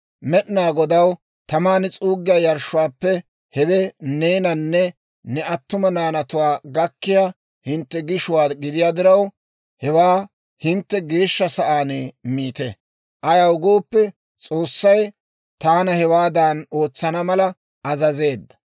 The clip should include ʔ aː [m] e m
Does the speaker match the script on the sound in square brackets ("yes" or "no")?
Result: no